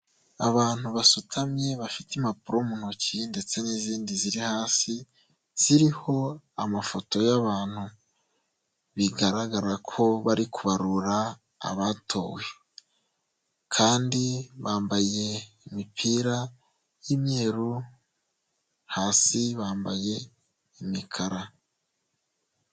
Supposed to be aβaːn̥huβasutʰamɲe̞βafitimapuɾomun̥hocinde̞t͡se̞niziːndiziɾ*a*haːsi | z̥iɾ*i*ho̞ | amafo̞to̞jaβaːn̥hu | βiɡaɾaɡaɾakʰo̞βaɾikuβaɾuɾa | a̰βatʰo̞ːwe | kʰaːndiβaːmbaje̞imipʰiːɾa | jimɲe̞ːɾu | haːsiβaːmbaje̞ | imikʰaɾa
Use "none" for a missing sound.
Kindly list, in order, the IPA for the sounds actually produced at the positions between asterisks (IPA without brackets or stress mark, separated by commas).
i, i